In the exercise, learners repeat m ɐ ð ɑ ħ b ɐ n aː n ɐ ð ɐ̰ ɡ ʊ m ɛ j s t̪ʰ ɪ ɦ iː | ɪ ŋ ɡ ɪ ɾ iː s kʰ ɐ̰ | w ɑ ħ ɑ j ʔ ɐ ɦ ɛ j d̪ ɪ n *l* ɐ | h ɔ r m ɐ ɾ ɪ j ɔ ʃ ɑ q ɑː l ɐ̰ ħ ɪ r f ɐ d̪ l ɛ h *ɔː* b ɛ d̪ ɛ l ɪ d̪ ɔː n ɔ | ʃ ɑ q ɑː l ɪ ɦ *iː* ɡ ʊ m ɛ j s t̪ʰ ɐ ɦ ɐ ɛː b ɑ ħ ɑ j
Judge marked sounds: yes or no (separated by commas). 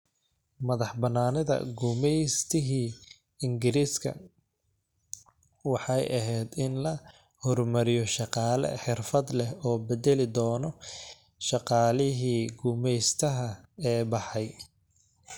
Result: yes, yes, yes